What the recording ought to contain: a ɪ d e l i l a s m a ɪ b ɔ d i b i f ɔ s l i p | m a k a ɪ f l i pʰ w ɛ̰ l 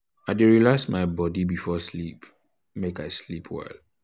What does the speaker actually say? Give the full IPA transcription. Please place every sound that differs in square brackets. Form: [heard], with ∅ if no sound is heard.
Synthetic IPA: a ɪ d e [ɹ] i l a s m a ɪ b ɔ d i b i f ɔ s l i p | m [e] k a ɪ [s] l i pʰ w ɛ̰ l